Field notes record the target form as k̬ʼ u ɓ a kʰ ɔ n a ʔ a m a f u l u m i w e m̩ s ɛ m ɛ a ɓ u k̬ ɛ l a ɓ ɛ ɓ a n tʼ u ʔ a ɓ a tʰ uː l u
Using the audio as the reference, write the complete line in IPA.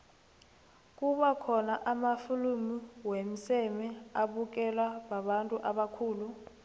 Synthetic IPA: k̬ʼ u ɓ a kʰ ɔ n a ʔ a m a f u l u m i w e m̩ s ɛ m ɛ a ɓ u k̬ ɛ l a ɓ a ɓ a n tʼ u ʔ a ɓ a kʰ uː l u